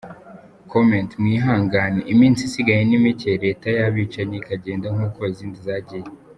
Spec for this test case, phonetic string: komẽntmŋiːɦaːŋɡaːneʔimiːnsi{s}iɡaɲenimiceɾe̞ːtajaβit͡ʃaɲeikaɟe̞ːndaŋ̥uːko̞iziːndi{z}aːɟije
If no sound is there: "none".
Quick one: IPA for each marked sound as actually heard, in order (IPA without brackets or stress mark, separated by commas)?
s, z